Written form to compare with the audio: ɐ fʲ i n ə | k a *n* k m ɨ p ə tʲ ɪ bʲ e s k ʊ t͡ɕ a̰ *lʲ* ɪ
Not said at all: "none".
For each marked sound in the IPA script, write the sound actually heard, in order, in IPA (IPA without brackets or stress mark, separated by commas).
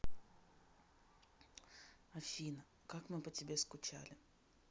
none, lʲ